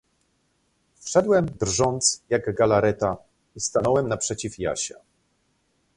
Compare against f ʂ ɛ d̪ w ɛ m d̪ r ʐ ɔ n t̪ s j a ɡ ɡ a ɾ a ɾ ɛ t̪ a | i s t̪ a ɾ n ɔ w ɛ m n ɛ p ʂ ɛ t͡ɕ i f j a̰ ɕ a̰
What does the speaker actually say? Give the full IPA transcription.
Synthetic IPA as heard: f ʂ ɛ d̪ w ɛ m d̪ r ʐ ɔ n t̪ s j a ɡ ɡ a l a ɾ ɛ t̪ a | i s t̪ a n ɔ w ɛ m n a p ʂ ɛ t͡ɕ i f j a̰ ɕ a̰